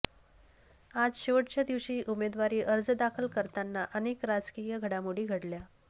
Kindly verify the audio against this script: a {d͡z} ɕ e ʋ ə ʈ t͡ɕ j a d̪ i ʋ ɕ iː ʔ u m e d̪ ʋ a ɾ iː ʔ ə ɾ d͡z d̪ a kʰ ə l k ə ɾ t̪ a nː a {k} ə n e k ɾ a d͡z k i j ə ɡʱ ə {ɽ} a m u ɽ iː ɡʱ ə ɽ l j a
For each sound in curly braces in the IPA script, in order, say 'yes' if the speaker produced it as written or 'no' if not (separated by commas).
yes, no, yes